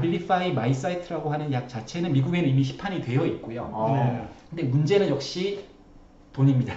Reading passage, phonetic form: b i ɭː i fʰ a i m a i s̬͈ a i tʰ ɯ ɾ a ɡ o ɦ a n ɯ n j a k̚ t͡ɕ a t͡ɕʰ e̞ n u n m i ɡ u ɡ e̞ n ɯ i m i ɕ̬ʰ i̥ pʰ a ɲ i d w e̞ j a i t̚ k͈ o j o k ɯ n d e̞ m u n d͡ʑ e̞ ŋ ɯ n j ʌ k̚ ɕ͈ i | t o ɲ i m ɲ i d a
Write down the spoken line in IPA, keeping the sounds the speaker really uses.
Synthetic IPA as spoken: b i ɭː i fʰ a i m a i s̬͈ a i tʰ ɯ ɾ a ɡ o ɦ a n ɯ n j a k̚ t͡ɕ a t͡ɕʰ e̞ n ɯ n m i ɡ u ɡ e̞ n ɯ i m i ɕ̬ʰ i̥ pʰ a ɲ i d w e̞ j ʌ i t̚ k͈ o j o k ɯ n d e̞ m u n d͡ʑ e̞ n ɯ n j ʌ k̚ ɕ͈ i | t o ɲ i m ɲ i d a